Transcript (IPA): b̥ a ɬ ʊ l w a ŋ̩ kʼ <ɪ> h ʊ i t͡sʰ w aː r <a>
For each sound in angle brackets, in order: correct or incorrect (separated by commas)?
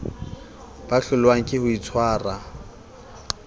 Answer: correct, correct